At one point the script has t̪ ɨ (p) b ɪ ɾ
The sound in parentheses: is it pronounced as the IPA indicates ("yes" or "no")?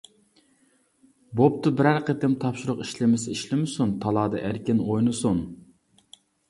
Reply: no